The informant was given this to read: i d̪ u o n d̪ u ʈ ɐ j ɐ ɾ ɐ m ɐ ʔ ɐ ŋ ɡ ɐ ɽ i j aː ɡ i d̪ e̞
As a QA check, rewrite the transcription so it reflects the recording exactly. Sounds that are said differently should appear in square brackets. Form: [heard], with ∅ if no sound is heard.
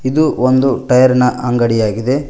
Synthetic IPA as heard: i d̪ u o n d̪ u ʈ ɐ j ɐ ɾ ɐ [n] ɐ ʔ ɐ ŋ ɡ ɐ ɽ i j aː ɡ i d̪ e̞

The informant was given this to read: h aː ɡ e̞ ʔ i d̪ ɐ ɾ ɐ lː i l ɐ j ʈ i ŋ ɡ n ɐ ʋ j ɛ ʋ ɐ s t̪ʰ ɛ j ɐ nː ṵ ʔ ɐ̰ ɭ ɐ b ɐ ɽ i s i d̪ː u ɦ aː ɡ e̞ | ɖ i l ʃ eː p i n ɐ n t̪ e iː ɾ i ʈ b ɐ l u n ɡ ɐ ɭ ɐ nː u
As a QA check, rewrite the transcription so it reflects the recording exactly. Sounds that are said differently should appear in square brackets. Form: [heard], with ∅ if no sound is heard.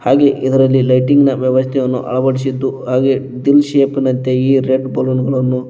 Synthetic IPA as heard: h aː ɡ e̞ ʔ i d̪ ɐ ɾ ɐ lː i l ɐ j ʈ i ŋ ɡ n ɐ ʋ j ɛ ʋ ɐ s t̪ʰ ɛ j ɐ nː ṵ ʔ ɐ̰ ɭ ɐ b ɐ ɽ i s i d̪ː u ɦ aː ɡ e̞ | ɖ i l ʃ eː p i n ɐ n t̪ e iː ɾ [e] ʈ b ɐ l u n ɡ ɐ ɭ ɐ nː u

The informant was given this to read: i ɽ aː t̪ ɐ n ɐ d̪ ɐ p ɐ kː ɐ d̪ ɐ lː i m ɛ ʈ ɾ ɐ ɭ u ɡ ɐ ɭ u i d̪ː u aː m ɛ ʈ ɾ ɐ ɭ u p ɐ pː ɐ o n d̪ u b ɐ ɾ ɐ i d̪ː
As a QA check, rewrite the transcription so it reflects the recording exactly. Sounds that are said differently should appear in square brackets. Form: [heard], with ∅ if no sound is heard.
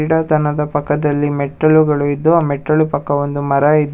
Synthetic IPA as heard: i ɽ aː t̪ ɐ n ɐ d̪ ɐ p ɐ kː ɐ d̪ ɐ lː i m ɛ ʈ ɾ ɐ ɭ u ɡ ɐ ɭ u i d̪ː u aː m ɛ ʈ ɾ ɐ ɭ u p ɐ [kː] ɐ o n d̪ u [m] ɐ ɾ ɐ i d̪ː

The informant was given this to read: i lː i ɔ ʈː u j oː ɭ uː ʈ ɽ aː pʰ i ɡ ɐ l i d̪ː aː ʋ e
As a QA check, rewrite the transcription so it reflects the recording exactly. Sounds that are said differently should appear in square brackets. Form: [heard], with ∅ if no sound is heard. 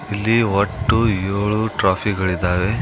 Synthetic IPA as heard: i lː i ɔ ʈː u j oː ɭ [u] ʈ [ɾ] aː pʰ i ɡ ɐ [ɭ] i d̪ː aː ʋ e

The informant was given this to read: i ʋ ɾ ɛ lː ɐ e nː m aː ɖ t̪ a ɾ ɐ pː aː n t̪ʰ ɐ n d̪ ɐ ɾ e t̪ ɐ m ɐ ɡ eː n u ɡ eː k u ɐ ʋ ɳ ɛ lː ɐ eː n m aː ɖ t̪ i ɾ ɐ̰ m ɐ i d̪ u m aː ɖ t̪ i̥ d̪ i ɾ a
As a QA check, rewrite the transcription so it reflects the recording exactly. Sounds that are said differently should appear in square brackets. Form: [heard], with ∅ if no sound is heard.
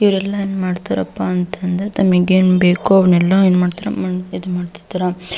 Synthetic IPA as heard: i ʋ ɾ ɛ lː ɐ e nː m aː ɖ t̪ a ɾ ɐ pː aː n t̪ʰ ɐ n d̪ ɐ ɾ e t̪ ɐ m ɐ ɡ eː n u [b] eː k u ɐ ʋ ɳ ɛ lː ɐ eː n m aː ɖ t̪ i ɾ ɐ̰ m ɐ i d̪ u m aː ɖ t̪ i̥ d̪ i ɾ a

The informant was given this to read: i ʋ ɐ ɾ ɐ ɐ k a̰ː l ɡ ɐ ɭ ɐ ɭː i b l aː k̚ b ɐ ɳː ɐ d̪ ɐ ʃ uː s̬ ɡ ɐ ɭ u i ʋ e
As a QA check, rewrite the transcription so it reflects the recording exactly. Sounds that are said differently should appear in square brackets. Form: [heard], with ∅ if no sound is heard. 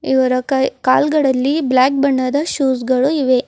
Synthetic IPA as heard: i ʋ ɐ ɾ ɐ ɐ k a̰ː l ɡ ɐ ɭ ɐ [lː] i b l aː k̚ b ɐ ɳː ɐ d̪ ɐ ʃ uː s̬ ɡ ɐ ɭ u i ʋ e

